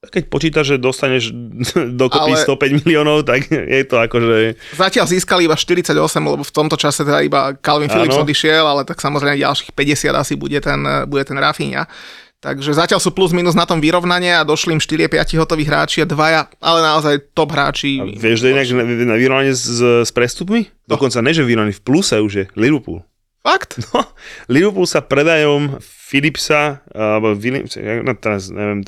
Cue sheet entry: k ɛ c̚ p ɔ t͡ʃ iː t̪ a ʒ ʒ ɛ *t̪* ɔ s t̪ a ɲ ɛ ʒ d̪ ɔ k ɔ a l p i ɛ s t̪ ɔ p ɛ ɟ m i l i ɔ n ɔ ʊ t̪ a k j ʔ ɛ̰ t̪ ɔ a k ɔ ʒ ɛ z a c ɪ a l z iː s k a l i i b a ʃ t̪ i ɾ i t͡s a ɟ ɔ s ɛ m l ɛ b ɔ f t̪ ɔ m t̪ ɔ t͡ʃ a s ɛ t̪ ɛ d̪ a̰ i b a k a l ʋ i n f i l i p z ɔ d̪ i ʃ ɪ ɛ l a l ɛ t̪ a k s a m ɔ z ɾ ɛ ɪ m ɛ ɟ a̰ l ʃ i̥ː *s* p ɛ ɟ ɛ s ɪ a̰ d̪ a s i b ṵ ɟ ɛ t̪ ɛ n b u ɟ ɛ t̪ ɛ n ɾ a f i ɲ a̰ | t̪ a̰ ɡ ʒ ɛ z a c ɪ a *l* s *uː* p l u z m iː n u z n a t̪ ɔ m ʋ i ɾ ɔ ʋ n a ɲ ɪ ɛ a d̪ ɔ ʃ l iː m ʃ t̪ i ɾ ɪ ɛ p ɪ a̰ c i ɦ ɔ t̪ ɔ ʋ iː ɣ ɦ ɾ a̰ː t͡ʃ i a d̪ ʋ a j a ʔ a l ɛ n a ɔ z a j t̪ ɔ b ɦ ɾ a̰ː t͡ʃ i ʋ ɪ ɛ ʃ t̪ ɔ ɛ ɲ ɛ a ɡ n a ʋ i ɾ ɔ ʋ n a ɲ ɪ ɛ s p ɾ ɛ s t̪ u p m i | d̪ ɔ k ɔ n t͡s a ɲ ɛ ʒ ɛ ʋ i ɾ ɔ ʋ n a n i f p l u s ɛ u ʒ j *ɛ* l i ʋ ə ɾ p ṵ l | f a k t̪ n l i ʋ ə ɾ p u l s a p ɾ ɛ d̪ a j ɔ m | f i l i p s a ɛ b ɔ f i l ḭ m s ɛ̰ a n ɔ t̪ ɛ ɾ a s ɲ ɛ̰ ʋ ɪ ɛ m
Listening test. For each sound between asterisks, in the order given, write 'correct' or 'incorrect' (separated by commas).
incorrect, incorrect, correct, correct, correct